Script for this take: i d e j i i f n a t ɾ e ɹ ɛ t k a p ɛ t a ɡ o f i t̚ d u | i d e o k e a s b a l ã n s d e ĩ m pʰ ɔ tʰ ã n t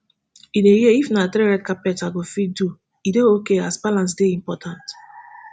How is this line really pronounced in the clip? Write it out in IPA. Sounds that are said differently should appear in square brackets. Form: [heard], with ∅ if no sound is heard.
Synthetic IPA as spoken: i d e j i i f n a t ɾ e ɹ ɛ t k a p ɛ t a ɡ o f i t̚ d u | i d e o k e a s b a l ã n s d e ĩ m [p] ɔ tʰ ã n t

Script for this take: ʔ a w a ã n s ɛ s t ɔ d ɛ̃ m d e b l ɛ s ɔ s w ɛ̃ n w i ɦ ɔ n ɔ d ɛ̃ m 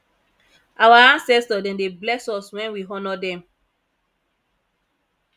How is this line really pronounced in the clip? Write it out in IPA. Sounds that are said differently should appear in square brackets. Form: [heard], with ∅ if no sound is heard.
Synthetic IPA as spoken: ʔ a w a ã n s ɛ s t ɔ d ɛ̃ [n] d e b l ɛ s ɔ s w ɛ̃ n w i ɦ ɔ n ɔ d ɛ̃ m

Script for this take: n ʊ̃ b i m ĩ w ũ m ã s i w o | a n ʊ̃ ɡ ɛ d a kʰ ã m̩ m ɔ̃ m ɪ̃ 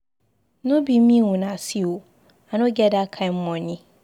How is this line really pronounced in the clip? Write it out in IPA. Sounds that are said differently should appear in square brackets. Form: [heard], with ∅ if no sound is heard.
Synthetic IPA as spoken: n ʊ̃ b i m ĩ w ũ [n] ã s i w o | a n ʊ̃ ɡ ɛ d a kʰ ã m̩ m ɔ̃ [ɲ] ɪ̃

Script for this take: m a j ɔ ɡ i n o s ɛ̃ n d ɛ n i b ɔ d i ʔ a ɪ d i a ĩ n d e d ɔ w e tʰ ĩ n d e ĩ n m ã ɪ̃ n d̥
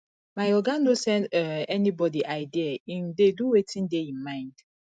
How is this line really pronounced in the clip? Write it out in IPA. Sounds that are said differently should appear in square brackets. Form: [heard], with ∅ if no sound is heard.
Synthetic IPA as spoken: m a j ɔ ɡ [a] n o s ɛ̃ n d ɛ n i b ɔ d i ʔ a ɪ d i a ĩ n d e d [u] w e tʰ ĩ n d e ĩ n m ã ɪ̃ n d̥

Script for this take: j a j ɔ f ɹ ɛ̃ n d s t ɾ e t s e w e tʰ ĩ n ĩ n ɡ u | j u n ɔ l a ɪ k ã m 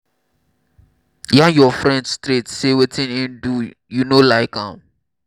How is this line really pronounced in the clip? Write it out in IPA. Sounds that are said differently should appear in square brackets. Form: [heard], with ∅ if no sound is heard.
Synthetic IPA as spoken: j a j ɔ f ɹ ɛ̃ n d s t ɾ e t s e w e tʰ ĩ n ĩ n [d] u | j u n [o] l a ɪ k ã m

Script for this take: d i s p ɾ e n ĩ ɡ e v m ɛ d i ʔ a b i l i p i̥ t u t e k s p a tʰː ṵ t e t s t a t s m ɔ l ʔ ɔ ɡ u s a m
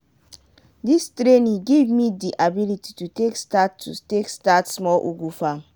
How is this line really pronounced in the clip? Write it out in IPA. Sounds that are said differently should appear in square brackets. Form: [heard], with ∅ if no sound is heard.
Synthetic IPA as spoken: d i s [t] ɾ e n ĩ ɡ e v m [i] d i ʔ a b i l i [t] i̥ t u t e k s [t] a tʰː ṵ t e [k] s t a t s m ɔ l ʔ [u] ɡ u [f] a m

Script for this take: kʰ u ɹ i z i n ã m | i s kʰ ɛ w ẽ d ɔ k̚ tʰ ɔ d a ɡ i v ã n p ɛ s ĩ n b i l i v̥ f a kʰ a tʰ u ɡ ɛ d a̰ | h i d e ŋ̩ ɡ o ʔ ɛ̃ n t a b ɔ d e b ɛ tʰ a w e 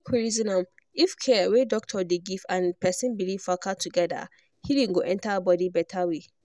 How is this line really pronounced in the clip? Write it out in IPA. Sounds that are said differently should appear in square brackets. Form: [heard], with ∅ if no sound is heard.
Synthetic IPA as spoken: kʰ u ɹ i z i n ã m | i [f] kʰ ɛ w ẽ d ɔ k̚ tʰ ɔ d [e] ɡ i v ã n p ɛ s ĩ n b i l i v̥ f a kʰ a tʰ u ɡ ɛ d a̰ | h i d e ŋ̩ ɡ o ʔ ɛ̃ n t a b ɔ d [i] b ɛ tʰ a w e

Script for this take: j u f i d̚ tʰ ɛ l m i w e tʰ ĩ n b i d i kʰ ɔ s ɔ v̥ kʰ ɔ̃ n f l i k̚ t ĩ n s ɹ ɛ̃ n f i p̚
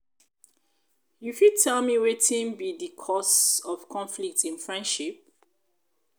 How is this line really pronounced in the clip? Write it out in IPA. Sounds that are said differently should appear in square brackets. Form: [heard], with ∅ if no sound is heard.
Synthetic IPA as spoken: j u f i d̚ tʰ ɛ l m i w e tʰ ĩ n b i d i kʰ ɔ s ɔ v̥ kʰ ɔ̃ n f l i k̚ t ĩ n [f] ɹ ɛ̃ n [ʃ] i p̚

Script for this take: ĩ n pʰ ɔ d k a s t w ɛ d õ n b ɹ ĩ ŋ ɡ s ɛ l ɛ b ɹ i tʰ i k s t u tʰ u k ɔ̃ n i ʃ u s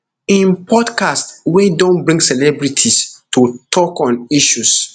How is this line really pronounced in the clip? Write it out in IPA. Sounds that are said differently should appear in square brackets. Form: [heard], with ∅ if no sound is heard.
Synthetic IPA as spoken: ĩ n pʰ ɔ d k a s t w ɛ d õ n b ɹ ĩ ŋ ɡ s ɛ l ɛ b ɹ i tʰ i [∅] s t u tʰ [ɔ] k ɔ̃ n i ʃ u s

